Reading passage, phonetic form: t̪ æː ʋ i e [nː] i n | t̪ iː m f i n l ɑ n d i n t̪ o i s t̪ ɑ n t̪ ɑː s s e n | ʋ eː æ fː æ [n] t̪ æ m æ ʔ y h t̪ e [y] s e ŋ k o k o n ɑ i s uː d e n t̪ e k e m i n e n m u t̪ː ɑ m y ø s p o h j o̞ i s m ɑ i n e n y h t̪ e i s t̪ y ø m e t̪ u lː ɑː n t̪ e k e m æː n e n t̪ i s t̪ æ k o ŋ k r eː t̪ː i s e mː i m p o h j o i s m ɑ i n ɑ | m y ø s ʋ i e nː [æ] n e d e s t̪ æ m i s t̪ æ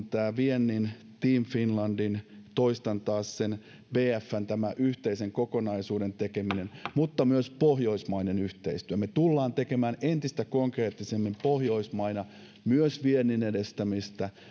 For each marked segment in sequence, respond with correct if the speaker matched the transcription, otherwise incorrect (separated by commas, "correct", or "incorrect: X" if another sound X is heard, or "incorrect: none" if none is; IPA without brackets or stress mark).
correct, correct, incorrect: i, incorrect: i